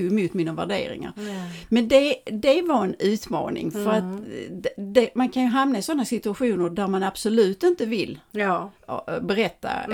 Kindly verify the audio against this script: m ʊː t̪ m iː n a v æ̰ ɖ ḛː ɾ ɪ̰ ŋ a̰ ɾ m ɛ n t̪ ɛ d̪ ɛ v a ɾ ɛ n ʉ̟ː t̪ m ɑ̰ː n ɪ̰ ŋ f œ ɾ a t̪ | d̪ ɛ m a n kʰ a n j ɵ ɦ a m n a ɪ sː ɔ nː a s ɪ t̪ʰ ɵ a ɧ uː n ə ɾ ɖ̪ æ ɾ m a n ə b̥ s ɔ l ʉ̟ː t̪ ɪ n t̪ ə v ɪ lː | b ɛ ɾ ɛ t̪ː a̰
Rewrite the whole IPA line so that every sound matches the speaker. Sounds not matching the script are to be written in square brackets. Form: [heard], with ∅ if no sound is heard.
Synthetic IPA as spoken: m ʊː t̪ m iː n a v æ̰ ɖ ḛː ɾ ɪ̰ ŋ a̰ ɾ m ɛ n [d̪] ɛ d̪ ɛ v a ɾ ɛ n ʉ̟ː t̪ m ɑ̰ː n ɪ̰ ŋ f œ ɾ a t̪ | d̪ ɛ m a n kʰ a n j ɵ ɦ a m n a ɪ [s] ɔ nː a s ɪ [t̪] ɵ a ɧ uː n ə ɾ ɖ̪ æ ɾ m a n [a] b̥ s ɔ l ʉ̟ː t̪ ɪ n t̪ ə v ɪ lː | b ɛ ɾ ɛ t̪ː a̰